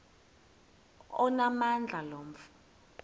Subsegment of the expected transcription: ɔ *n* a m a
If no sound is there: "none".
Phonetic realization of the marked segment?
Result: n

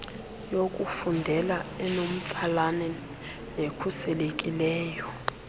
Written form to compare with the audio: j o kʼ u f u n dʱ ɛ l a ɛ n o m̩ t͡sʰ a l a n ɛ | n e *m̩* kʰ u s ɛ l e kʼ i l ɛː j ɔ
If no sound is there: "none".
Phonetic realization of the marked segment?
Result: none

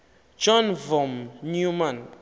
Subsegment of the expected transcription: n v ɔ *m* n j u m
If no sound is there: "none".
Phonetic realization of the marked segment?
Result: m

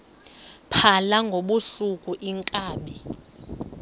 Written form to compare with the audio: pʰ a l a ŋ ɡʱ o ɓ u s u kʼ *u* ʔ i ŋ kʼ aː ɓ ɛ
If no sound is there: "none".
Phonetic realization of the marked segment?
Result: u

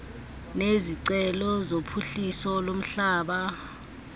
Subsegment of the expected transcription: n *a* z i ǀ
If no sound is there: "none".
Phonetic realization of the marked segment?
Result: e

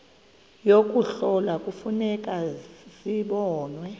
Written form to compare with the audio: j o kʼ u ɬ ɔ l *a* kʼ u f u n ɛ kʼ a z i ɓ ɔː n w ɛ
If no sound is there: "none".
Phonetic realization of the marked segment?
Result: a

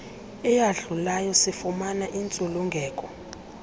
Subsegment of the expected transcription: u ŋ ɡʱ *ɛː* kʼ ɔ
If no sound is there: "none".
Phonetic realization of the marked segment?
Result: ɛː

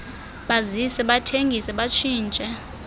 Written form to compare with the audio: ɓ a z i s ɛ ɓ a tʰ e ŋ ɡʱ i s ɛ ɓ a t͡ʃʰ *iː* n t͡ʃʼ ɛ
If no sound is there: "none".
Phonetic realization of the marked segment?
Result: iː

